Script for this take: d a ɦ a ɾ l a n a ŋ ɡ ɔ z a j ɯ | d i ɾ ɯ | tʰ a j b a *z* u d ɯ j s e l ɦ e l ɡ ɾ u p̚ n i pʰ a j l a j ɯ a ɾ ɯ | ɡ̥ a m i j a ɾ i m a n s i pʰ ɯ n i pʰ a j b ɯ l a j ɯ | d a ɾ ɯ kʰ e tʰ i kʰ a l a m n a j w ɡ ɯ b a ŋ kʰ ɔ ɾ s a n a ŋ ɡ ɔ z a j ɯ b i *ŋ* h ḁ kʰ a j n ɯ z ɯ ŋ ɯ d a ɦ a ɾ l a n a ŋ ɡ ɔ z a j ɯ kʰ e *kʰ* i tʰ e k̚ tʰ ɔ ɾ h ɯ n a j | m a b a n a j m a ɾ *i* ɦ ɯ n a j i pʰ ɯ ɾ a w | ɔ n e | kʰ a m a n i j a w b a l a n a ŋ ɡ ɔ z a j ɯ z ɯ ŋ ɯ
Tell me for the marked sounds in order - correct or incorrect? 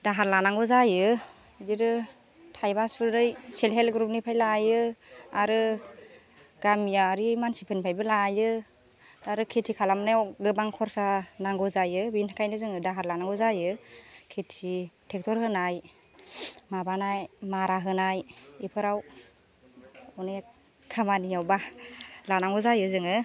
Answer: incorrect: s, incorrect: n, incorrect: tʰ, incorrect: a

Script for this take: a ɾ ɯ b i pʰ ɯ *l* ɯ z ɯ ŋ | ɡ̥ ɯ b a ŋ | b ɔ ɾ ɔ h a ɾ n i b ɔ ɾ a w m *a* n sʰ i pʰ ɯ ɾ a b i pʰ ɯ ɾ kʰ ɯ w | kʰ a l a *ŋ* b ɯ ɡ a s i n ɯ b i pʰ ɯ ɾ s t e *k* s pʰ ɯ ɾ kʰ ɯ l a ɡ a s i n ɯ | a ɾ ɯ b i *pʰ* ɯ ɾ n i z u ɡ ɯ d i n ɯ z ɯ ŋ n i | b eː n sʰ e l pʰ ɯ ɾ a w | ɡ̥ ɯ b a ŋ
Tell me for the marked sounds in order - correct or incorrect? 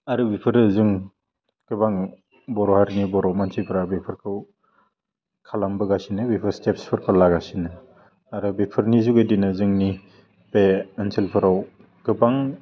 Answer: incorrect: ɾ, correct, incorrect: m, incorrect: p, correct

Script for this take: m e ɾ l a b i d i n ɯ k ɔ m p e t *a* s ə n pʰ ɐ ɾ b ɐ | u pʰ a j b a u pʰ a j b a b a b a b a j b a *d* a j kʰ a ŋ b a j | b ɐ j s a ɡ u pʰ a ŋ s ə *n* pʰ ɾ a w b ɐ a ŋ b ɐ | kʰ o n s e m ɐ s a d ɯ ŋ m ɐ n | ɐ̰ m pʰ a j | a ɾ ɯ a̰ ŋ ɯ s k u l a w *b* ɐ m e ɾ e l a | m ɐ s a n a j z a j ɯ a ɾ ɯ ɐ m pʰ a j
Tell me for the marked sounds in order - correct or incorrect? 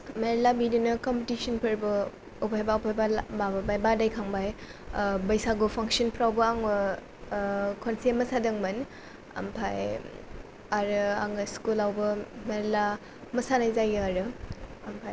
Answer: incorrect: i, correct, correct, correct

